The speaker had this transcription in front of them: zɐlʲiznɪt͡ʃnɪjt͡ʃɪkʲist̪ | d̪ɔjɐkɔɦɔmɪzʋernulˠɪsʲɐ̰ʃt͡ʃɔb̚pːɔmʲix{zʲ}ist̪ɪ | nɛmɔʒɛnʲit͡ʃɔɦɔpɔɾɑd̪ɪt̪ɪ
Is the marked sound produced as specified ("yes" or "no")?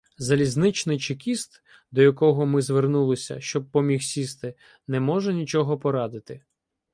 no